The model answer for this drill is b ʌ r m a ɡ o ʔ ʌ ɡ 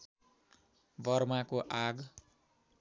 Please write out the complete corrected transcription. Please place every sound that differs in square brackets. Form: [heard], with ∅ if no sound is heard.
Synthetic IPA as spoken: b ʌ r m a [k] o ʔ [a] ɡ